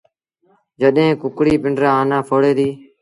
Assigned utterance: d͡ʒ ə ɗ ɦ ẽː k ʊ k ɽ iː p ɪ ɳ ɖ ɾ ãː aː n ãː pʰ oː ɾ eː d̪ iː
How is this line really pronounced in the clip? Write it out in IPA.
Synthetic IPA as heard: d͡ʒ ə ɗ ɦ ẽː k ʊ k ɽ iː p ɪ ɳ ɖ ɾ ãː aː n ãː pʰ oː ɽ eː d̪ iː